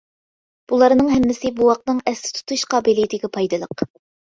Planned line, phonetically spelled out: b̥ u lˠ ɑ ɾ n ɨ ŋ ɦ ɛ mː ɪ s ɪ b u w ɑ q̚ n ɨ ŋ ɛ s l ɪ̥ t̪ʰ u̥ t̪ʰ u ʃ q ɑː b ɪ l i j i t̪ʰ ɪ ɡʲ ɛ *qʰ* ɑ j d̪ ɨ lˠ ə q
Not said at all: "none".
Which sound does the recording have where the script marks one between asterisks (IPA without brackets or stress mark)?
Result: pʰ